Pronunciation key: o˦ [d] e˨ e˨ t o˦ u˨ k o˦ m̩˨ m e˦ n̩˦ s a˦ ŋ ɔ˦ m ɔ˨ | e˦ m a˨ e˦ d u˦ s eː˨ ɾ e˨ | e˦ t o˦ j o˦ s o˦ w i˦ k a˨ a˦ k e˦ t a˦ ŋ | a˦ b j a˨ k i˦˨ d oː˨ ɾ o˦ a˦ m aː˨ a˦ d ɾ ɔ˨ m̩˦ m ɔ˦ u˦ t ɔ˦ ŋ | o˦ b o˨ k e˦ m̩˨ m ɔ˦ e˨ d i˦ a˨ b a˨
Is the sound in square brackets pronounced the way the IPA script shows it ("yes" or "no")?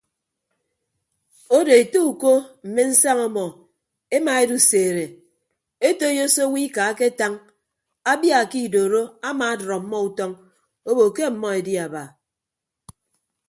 yes